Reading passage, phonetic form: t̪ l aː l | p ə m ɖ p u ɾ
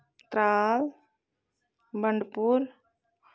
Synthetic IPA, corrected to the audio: t̪ ɾ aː l | b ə ɳ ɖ p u ɾ